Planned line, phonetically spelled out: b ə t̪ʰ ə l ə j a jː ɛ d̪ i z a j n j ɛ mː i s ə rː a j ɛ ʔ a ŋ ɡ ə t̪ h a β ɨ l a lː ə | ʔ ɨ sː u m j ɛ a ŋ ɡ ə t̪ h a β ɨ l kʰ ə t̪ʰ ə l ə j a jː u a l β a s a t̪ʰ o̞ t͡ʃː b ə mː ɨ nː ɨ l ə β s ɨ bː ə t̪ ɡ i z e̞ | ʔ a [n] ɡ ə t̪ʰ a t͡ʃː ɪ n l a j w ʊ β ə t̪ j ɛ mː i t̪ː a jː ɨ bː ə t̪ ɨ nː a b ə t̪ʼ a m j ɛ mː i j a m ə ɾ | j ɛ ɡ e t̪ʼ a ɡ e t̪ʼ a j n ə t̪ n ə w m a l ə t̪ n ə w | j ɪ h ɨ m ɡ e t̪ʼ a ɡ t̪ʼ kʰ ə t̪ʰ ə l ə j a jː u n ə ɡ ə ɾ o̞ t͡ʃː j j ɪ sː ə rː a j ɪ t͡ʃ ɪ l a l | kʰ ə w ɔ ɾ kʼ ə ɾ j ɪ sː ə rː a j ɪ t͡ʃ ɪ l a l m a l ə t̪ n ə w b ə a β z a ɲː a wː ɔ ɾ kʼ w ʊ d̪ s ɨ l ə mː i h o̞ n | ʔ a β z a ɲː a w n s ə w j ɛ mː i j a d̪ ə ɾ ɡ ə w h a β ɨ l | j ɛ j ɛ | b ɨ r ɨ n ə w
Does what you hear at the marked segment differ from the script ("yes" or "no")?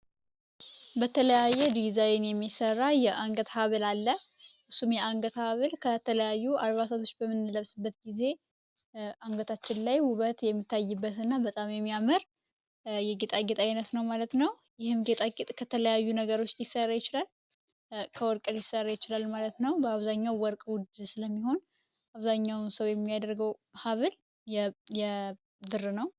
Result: yes